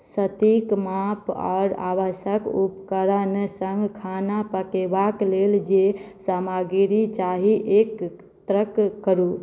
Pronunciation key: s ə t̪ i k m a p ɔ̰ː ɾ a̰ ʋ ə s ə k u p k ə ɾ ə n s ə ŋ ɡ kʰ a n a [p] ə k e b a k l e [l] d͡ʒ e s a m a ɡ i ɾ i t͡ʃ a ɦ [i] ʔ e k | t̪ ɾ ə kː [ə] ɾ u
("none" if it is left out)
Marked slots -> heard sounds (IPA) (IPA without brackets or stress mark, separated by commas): p, l, i, ə